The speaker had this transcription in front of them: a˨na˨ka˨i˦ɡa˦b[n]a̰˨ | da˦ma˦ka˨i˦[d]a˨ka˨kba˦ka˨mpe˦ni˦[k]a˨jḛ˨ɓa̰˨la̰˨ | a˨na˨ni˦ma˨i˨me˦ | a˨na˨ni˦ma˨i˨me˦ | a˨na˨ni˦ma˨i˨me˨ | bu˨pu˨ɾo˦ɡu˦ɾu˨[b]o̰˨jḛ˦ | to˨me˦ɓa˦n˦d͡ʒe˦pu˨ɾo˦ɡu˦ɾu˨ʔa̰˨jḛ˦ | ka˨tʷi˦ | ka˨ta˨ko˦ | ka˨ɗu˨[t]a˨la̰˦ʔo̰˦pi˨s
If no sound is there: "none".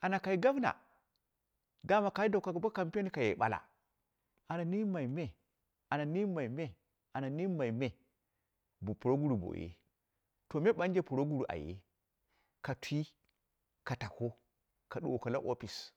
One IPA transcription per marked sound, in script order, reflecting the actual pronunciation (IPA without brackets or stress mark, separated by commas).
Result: n, d, k, b, k